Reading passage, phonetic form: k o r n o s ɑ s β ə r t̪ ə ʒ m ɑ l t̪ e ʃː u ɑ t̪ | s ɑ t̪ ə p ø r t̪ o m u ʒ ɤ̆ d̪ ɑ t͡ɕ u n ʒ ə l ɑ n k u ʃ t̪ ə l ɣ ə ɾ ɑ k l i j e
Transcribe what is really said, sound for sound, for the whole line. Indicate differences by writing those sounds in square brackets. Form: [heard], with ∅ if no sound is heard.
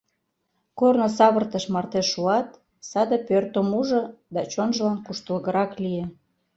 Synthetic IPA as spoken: k o r n o s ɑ [∅] β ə r t̪ ə [ʃ] m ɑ [r] t̪ e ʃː u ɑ t̪ | s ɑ [d̪] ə p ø r t̪ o m u ʒ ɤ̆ d̪ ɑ t͡ɕ [o] n ʒ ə l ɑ n k u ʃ t̪ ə l ɣ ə ɾ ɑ k l i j e